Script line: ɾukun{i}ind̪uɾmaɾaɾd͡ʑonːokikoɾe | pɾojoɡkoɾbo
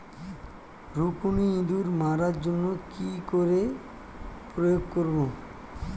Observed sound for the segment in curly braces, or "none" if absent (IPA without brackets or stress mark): i